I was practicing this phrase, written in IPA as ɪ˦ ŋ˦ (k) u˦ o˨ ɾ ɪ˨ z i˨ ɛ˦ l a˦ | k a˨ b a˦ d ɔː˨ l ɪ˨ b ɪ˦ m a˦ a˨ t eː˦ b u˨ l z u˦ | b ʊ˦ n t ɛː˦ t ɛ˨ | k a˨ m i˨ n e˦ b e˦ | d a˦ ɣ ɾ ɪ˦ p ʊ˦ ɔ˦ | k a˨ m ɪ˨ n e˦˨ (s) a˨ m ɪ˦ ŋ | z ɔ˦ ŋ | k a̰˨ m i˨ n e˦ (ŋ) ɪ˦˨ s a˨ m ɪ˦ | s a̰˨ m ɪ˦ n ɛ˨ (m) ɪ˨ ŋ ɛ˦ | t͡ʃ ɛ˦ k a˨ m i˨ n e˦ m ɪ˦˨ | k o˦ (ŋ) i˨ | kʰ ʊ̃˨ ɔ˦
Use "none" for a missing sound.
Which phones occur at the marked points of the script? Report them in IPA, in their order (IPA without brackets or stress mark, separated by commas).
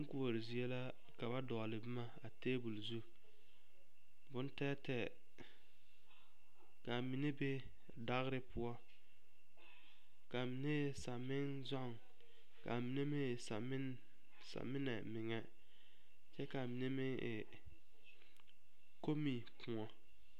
k, s, m, m, m